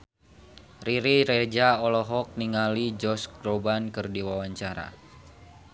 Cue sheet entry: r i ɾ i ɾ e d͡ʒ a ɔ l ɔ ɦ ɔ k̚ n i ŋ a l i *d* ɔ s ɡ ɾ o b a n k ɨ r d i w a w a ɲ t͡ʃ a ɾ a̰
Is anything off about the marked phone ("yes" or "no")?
yes